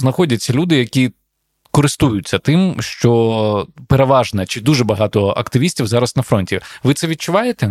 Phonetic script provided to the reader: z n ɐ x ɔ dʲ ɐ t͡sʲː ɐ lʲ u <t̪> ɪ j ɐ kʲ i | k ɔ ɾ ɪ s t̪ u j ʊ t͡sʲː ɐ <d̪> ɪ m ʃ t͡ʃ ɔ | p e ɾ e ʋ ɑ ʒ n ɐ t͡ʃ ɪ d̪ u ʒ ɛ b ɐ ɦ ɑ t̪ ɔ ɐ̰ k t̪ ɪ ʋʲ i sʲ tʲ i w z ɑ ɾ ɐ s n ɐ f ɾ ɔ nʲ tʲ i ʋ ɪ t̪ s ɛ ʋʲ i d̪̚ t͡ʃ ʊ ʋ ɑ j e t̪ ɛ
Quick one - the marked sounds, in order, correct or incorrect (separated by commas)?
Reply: incorrect, incorrect